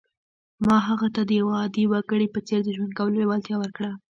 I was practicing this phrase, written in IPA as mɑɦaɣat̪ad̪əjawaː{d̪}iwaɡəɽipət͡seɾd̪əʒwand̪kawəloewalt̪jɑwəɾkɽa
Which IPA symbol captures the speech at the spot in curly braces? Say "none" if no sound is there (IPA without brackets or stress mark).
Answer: d̪